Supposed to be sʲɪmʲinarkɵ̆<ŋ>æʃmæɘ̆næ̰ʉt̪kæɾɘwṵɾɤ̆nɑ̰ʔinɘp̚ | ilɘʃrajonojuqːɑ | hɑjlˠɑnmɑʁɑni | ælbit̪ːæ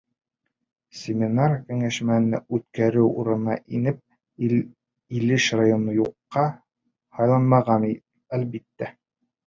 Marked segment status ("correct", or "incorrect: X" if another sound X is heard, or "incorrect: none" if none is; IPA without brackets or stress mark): correct